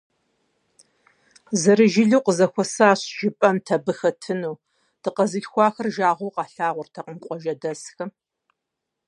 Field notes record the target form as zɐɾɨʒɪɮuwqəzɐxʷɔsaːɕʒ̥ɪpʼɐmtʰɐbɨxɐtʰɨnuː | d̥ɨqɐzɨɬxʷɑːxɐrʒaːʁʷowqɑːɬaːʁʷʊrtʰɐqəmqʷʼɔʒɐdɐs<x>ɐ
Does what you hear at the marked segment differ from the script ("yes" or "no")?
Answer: no